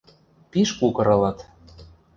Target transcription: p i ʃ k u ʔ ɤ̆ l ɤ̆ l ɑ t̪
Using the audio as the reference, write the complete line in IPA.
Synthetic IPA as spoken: p i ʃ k u k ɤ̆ ɾ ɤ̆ l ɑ t̪